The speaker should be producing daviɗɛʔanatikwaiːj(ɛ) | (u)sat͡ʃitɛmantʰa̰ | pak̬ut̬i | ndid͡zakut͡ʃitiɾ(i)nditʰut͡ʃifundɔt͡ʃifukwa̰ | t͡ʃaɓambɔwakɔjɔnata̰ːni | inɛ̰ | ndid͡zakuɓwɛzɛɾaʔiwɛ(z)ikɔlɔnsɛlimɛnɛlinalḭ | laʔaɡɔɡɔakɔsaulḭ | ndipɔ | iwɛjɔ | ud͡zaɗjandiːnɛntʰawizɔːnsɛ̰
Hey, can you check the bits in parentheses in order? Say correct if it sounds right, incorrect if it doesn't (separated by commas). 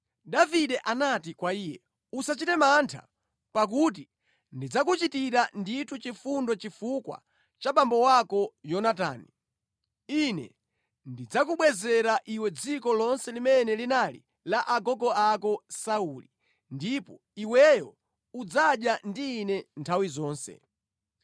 correct, correct, incorrect, incorrect